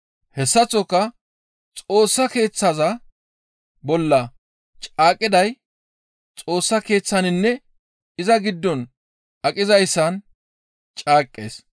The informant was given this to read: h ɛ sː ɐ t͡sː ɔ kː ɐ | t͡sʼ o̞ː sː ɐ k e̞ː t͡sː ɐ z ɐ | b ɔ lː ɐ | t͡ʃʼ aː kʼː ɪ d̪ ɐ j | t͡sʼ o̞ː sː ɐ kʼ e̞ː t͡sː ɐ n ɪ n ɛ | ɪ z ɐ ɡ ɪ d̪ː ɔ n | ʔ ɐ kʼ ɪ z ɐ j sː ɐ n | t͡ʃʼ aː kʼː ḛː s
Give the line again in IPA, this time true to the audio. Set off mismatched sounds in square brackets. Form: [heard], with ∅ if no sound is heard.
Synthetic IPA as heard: h ɛ sː ɐ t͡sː ɔ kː ɐ | t͡sʼ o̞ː sː ɐ k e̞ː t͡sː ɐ z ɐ | b ɔ lː ɐ | t͡ʃʼ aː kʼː ɪ d̪ ɐ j | t͡sʼ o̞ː sː ɐ [k] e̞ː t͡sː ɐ n ɪ [nː] ɛ | ɪ z ɐ ɡ ɪ d̪ː ɔ n | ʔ ɐ kʼ ɪ z ɐ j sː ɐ n | t͡ʃʼ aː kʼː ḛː s